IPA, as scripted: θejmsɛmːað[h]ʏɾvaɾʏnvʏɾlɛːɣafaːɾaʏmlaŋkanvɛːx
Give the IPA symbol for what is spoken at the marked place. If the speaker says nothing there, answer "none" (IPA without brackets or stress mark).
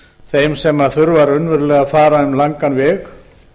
θ